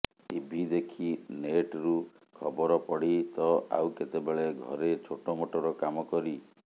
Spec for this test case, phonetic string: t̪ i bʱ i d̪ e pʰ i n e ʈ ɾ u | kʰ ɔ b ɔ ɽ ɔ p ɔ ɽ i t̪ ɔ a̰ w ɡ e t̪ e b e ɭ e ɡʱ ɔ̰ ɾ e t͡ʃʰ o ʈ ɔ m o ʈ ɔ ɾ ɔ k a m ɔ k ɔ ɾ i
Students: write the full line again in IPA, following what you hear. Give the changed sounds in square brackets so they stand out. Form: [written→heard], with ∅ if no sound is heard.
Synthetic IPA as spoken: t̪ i bʱ i d̪ e [pʰ→kʰ] i n e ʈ ɾ u | kʰ ɔ b ɔ [ɽ→ɾ] ɔ p ɔ ɽ i t̪ ɔ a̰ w [ɡ→k] e t̪ e b e ɭ e ɡʱ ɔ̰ ɾ e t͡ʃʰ o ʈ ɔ m o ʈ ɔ ɾ ɔ k a m ɔ k ɔ ɾ i